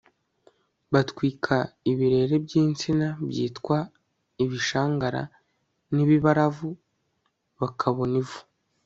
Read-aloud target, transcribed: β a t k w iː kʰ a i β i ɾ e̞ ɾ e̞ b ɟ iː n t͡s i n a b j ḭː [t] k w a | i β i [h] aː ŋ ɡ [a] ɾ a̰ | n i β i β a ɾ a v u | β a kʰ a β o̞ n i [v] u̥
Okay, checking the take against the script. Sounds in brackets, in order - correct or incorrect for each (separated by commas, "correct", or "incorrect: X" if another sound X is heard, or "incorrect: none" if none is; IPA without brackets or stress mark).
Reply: correct, incorrect: ʃ, correct, correct